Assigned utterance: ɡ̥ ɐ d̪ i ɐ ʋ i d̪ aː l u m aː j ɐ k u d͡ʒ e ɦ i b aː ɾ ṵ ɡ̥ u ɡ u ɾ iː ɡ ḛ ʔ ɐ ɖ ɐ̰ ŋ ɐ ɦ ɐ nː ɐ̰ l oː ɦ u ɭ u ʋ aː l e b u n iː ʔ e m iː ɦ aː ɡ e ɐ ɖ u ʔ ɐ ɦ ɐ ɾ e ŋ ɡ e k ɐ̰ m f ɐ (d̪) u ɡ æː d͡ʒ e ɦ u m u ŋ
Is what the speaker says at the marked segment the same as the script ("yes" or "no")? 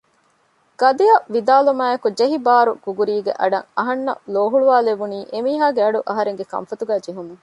no